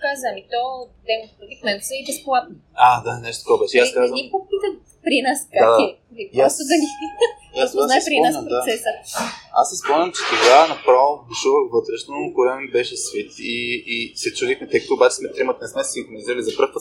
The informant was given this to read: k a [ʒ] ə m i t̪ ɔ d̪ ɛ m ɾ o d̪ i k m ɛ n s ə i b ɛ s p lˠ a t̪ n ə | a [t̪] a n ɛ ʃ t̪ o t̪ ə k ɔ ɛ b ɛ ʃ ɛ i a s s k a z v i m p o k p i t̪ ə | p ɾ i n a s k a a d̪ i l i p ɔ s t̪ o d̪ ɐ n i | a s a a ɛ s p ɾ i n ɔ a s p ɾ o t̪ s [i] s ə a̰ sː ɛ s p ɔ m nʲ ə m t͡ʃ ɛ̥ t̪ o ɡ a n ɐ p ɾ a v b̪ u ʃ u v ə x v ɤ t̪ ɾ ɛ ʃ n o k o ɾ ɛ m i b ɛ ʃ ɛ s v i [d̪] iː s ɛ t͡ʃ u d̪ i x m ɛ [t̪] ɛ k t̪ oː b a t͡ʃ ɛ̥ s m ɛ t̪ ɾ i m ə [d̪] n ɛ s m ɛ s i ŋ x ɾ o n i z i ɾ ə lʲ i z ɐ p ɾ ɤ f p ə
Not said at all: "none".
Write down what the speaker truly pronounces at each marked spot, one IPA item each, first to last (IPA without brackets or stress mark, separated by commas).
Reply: z, d̪, ɛ, t̪, t̪, t̪